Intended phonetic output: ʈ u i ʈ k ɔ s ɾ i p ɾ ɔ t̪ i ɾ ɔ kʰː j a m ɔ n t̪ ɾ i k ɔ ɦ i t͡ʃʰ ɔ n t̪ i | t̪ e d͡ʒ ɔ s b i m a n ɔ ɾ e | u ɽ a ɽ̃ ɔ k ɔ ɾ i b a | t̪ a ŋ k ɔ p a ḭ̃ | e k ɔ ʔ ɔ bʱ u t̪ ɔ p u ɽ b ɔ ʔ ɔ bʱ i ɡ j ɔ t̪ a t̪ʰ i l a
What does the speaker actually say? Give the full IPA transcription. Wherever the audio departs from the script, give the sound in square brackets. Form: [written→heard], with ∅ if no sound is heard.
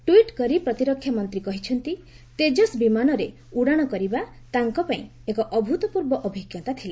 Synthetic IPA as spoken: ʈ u i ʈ k ɔ [s→∅] ɾ i p ɾ ɔ t̪ i ɾ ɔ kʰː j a m ɔ n t̪ ɾ i k ɔ ɦ i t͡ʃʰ ɔ n t̪ i | t̪ e d͡ʒ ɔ s b i m a n ɔ ɾ e | u ɽ a ɽ̃ ɔ k ɔ ɾ i b a | t̪ a ŋ k ɔ p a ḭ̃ | e k ɔ ʔ ɔ bʱ u t̪ ɔ p u [ɽ→ɾ] b ɔ ʔ ɔ bʱ i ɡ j ɔ t̪ a t̪ʰ i l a

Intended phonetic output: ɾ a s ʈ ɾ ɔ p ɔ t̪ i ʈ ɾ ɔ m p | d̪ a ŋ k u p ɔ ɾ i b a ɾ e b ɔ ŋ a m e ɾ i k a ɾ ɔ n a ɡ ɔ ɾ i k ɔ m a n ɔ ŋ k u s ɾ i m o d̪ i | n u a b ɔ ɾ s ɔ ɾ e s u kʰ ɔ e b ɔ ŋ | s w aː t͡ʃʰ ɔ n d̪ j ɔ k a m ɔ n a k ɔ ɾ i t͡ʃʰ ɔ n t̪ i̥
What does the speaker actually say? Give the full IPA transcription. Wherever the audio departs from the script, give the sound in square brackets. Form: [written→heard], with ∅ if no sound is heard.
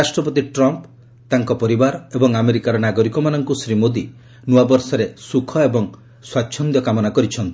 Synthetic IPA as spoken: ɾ a s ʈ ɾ ɔ p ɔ t̪ i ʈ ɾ ɔ m p | [d̪→t̪] a ŋ k [u→ɔ] p ɔ ɾ i b a ɾ e b ɔ ŋ a m e ɾ i k a ɾ ɔ n a ɡ ɔ ɾ i k ɔ m a n ɔ ŋ k u s ɾ i m o d̪ i | n u a b ɔ ɾ s ɔ ɾ e s u kʰ ɔ e b ɔ ŋ | s w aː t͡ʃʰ ɔ n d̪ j ɔ k a m ɔ n a k ɔ ɾ i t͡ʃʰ ɔ n t̪ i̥

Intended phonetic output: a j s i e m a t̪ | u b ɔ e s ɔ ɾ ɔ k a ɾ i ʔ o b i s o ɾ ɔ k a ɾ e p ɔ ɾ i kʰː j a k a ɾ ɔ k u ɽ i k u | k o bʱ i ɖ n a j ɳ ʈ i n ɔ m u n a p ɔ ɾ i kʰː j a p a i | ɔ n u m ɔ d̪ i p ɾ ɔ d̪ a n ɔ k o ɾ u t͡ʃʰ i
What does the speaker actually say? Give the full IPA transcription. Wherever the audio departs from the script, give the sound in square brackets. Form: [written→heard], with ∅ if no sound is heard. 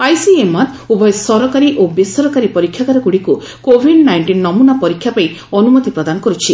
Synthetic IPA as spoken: a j s i e m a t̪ | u b ɔ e s ɔ ɾ ɔ k a ɾ i ʔ o b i s [o→ɔ] ɾ ɔ k a ɾ [e→i] p ɔ ɾ i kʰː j a k a ɾ ɔ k u ɽ i k u | k o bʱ i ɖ n a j ɳ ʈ i [n→nː] ɔ m u n a p ɔ ɾ i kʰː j a p a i | ɔ n u m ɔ [d̪→t̪] i p ɾ ɔ d̪ a n ɔ k [o→ɔ] ɾ u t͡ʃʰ i

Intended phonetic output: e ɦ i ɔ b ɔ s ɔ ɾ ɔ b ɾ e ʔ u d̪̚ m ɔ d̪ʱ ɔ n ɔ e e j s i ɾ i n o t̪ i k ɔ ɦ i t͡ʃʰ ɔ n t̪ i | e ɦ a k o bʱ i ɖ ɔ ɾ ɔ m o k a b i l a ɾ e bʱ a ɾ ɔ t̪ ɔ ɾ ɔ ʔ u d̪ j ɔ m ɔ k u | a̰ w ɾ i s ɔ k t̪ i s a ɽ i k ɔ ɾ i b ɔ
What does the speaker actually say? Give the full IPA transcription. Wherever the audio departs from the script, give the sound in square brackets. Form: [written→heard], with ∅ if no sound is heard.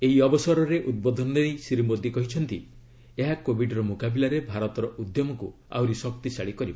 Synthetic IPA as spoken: e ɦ i ɔ b ɔ s ɔ ɾ ɔ [b→∅] ɾ e ʔ u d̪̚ [m→b] ɔ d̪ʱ ɔ n ɔ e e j s i ɾ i [n→m] o [t̪→d̪] i k ɔ ɦ i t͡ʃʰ ɔ n t̪ i | e ɦ a k o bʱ i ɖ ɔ ɾ ɔ m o k a b i l a ɾ e bʱ a ɾ ɔ t̪ ɔ ɾ ɔ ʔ u d̪ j ɔ m ɔ k u | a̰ w ɾ i s ɔ k t̪ i s a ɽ i k ɔ ɾ i b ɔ

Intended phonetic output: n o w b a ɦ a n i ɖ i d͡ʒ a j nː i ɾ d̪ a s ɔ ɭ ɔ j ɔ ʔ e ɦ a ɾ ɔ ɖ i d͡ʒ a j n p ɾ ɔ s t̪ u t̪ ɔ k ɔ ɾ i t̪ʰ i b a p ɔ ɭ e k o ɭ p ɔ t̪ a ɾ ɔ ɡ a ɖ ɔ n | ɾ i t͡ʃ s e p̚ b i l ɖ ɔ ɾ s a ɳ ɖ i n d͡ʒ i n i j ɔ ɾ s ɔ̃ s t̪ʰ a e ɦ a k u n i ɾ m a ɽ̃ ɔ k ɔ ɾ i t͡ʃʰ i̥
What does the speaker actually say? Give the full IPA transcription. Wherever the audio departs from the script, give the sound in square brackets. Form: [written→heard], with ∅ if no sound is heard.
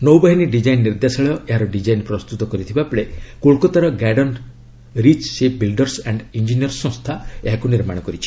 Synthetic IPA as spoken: n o w b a ɦ [a→i] n i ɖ i d͡ʒ a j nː i ɾ d̪ a s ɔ ɭ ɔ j ɔ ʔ e ɦ a ɾ ɔ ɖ i d͡ʒ a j n p ɾ ɔ s t̪ u t̪ ɔ k ɔ ɾ i t̪ʰ i b a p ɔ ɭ e k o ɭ [p→k] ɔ t̪ a ɾ ɔ ɡ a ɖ ɔ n | ɾ i t͡ʃ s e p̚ b i l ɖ ɔ ɾ s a ɳ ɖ i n d͡ʒ i n i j ɔ ɾ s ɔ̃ s t̪ʰ a e ɦ a k u n i ɾ m a ɽ̃ ɔ k ɔ ɾ i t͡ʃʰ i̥

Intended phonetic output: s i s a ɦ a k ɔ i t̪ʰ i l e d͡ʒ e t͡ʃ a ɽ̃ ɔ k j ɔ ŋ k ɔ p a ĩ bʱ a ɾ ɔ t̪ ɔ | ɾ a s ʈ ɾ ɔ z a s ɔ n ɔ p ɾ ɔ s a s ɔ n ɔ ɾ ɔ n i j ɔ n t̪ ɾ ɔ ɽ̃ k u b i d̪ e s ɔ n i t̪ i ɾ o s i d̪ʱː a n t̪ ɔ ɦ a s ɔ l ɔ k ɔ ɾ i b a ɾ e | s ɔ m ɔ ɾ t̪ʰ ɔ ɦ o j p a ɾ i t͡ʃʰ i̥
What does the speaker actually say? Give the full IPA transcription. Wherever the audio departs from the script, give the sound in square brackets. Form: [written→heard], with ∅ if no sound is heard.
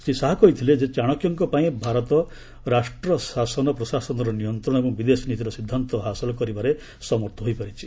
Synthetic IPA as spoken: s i s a ɦ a k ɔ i t̪ʰ i l e d͡ʒ e t͡ʃ a ɽ̃ ɔ k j ɔ ŋ k ɔ p a ĩ bʱ a ɾ ɔ t̪ ɔ | ɾ a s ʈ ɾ ɔ [z→s] a s ɔ n ɔ p ɾ ɔ s a s ɔ n ɔ ɾ ɔ n i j ɔ n t̪ ɾ ɔ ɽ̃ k u b i d̪ e s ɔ n i t̪ i ɾ [o→ɔ] s i d̪ʱː a n t̪ ɔ ɦ a s ɔ l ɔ k ɔ ɾ i b a ɾ e | s ɔ m ɔ ɾ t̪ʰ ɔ ɦ o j p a ɾ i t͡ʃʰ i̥

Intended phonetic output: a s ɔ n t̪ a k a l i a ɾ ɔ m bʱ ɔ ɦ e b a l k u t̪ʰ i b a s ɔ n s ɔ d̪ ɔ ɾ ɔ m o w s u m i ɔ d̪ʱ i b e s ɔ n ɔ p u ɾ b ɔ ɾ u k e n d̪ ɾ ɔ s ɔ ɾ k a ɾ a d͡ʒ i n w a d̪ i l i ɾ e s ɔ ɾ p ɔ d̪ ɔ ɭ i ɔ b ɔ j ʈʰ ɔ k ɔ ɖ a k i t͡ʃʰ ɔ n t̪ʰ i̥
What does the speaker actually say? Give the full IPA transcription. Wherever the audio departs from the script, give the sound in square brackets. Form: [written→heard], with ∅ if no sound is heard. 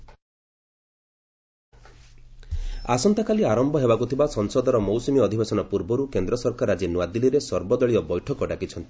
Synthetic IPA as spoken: a s ɔ n t̪ a k a l i a ɾ ɔ m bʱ ɔ ɦ e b a [l→∅] k u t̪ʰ i b a s ɔ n s ɔ d̪ ɔ ɾ ɔ m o w s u m i ɔ d̪ʱ i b e s ɔ n ɔ p u ɾ b ɔ ɾ u k e n d̪ ɾ ɔ s ɔ ɾ k a ɾ a d͡ʒ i n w a d̪ i l i ɾ e s ɔ ɾ [p→b] ɔ d̪ ɔ ɭ i ɔ b ɔ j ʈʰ ɔ k ɔ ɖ a k i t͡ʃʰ ɔ n [t̪ʰ→t̪] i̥

